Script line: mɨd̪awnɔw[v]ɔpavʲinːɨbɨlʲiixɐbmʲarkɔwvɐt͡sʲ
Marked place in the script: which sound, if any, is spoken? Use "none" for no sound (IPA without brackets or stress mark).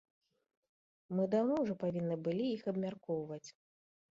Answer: ʐ